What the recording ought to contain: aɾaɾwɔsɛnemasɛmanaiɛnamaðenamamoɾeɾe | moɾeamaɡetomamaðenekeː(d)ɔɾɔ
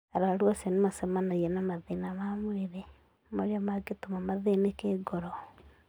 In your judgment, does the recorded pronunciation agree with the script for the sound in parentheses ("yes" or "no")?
no